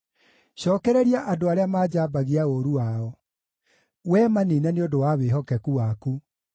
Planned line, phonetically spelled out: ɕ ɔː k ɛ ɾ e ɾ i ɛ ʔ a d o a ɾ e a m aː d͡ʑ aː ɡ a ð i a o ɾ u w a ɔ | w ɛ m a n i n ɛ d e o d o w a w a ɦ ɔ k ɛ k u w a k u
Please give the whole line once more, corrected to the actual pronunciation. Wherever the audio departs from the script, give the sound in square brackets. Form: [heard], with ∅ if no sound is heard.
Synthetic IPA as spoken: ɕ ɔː k ɛ ɾ [ɛ] ɾ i [a] ʔ a d o a ɾ e a m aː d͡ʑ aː [b] a [ɣ] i a o ɾ u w a ɔ | w ɛ m a n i n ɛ [n] e o d o w a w [e] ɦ ɔ k ɛ k u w a k u

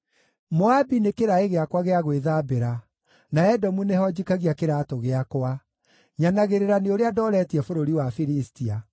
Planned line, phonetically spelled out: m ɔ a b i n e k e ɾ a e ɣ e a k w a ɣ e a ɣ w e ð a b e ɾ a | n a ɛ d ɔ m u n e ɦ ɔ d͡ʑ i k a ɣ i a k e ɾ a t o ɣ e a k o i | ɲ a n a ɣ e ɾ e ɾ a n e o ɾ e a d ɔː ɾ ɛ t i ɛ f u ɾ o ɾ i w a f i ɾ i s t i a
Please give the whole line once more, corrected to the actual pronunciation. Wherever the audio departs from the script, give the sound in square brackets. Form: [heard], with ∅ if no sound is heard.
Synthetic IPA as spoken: m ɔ a b i n e k e ɾ a e ɣ e a k w a ɣ e a ɣ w e ð a b e ɾ a | n a ɛ d ɔ m u n e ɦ ɔ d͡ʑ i k a ɣ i a k e ɾ a t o ɣ e a k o [a] | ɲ a n a ɣ e ɾ e ɾ a n e o ɾ e a d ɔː ɾ ɛ t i ɛ f [o] ɾ o ɾ i w a f i ɾ i s t i a

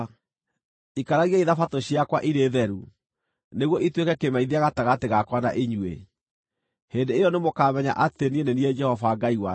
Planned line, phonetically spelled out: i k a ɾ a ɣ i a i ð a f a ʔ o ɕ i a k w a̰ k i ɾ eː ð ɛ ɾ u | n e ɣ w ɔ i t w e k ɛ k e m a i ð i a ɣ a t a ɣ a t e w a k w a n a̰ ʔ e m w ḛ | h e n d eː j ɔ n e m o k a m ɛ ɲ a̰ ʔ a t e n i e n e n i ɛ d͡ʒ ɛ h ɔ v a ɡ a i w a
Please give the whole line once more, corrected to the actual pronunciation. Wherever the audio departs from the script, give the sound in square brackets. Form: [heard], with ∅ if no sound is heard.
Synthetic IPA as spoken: i k a ɾ a ɣ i a i ð a f a [t] o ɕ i a k w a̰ [ʔ] i ɾ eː ð ɛ ɾ u | n e ɣ w ɔ i t w e k ɛ k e m a i ð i a ɣ a t a ɣ a t e [ɣ] a k w a n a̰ ʔ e [ɲ] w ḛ | h e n d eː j ɔ n e m o k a m ɛ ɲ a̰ ʔ a t e n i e n e n i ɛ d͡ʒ ɛ h ɔ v a ɡ a i w a

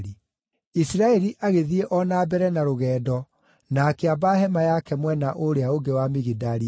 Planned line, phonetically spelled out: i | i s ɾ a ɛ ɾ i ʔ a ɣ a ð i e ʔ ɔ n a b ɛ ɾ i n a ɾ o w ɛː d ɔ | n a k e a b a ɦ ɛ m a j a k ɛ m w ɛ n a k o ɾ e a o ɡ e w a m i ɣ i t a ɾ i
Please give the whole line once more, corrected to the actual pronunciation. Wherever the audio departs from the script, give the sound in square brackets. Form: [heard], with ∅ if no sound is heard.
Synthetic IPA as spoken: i | i s ɾ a ɛ ɾ i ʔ a ɣ [e] ð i e ʔ ɔ n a b ɛ ɾ [ɛ] n a ɾ o [ɣ] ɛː d ɔ | n a k e a b a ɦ ɛ m a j a k ɛ m w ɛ n a [ʔ] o ɾ e a o ɡ e w a m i ɣ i [d] a ɾ i

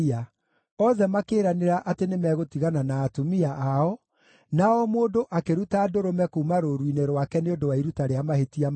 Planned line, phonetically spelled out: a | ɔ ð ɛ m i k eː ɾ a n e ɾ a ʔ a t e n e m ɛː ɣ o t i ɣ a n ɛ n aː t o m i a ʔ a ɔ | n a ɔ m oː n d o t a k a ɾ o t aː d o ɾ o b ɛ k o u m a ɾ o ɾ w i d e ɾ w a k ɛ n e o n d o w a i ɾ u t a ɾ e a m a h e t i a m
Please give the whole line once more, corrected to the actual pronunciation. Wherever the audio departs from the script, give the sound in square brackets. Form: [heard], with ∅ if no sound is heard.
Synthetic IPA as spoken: a | ɔ ð ɛ m [a] k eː ɾ a n e ɾ a ʔ a t e n e m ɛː ɣ o t i ɣ a n [a] n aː t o m i a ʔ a ɔ | n a ɔ m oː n d o [ʔ] a k [e] ɾ [u] t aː d o ɾ o [m] ɛ k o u m a ɾ o ɾ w i [n] e ɾ w a k ɛ n e o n d o w a i ɾ u t a ɾ e a m a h e t i a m

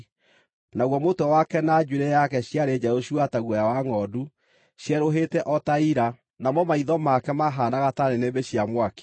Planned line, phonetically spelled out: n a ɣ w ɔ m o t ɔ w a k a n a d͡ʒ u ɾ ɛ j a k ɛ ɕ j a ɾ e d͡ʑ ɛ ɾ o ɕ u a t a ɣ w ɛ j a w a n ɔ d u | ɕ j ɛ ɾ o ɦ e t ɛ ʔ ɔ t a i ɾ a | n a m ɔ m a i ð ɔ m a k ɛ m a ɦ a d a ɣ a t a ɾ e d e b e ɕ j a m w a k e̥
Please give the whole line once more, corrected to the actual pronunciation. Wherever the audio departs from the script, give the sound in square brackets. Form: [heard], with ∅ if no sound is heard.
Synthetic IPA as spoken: n a ɣ w ɔ m o t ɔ w a k [ɛ] n a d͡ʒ u ɾ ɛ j a k ɛ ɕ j a ɾ e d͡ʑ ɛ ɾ o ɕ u a t a ɣ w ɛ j a w a [ŋ] ɔ d u | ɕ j ɛ ɾ o ɦ e t ɛ ʔ ɔ t a i ɾ a | n a m ɔ m a i ð ɔ m a k ɛ m a ɦ a [n] a ɣ a t a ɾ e [n] e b e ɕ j a m w a k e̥

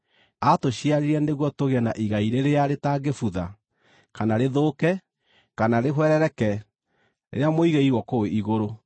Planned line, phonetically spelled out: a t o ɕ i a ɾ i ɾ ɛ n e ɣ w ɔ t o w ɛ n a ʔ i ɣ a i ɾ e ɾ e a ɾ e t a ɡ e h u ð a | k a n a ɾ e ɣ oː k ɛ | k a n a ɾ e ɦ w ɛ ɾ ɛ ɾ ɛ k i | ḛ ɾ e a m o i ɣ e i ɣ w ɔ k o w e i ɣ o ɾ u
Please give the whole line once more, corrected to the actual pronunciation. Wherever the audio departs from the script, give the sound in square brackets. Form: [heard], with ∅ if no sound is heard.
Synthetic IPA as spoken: a t o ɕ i a ɾ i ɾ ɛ n e ɣ w ɔ t o [ɣ] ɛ n a ʔ i ɣ a i ɾ e ɾ e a ɾ e t a ɡ e [f] u ð a | k a n a ɾ e [ð] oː k ɛ | k a n a ɾ e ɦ w ɛ ɾ ɛ ɾ ɛ k [ɛ] | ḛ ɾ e a m o i ɣ e i ɣ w ɔ k o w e i ɣ o ɾ [o]

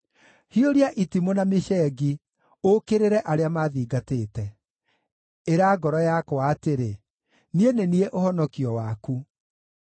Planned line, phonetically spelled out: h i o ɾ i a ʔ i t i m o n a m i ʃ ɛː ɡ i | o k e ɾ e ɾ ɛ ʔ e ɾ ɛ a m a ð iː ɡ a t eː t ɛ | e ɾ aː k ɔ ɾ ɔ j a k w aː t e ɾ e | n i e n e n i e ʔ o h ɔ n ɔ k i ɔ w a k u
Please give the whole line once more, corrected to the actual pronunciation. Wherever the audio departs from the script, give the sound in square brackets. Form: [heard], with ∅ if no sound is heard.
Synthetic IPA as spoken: h i o ɾ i a ʔ i t i m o n a m [e] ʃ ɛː ɡ i | o k e ɾ e ɾ ɛ ʔ [a] ɾ [e] a m a ð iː ɡ a t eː t ɛ | e ɾ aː [ɡ] ɔ ɾ ɔ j a k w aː t e ɾ e | n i e n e n i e ʔ o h ɔ n ɔ k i ɔ w a k u

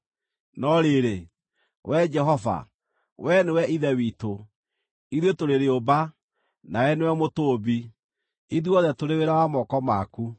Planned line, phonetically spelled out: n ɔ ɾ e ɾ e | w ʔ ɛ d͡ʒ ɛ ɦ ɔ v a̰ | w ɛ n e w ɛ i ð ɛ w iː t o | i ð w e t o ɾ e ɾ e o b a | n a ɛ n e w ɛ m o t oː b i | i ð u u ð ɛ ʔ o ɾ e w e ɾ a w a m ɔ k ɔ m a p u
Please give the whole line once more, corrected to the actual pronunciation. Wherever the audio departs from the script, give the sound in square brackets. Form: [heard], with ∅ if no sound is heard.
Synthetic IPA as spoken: n ɔ ɾ e ɾ e | w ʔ ɛ d͡ʒ ɛ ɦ ɔ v a̰ | w ɛ n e w ɛ i ð ɛ w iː t o | i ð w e t o ɾ e ɾ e o b a | n a ɛ n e w ɛ m o t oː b i | i ð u [ɔ] ð ɛ [t] o ɾ e w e ɾ a w a m ɔ k ɔ m a [k] u

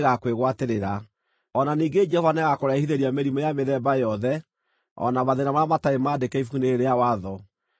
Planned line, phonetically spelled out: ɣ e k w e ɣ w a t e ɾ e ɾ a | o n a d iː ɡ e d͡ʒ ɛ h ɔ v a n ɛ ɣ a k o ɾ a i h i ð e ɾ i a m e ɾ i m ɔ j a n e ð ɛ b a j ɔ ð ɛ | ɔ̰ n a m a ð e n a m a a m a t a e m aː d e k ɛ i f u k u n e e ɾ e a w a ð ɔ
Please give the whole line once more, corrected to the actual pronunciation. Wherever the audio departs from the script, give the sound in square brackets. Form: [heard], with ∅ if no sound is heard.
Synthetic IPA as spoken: ɣ [a] k w e ɣ w a t e ɾ e ɾ a | [ɔ] n a [n] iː ɡ e d͡ʒ ɛ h ɔ v a n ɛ ɣ a k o ɾ a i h i ð e ɾ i a m e ɾ i m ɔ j a [m] e ð ɛ b a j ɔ ð ɛ | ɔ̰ n a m a ð e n a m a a m a t a e m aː d e k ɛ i f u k u n e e ɾ e a w a ð ɔ

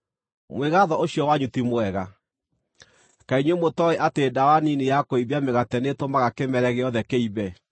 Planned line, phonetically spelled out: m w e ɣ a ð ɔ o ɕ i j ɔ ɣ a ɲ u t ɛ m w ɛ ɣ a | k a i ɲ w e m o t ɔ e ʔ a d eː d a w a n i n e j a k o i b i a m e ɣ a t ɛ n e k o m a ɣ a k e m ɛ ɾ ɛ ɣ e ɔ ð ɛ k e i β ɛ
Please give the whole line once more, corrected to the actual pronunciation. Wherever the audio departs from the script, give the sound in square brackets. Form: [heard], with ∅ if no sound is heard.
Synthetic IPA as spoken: m w e ɣ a ð ɔ o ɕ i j ɔ [w] a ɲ u t [i] m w ɛ ɣ a | k a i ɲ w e m o t ɔ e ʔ a [t] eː d a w a n i n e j a k o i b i a m e ɣ a t ɛ n e [t] o m a ɣ a k e m ɛ ɾ ɛ ɣ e ɔ ð ɛ k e i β ɛ

